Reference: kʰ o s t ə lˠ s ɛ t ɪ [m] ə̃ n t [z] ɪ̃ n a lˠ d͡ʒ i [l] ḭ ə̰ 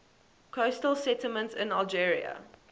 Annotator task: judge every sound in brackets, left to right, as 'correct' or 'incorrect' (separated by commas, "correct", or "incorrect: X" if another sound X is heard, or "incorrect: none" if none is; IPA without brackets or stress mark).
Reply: correct, incorrect: s, incorrect: ɹ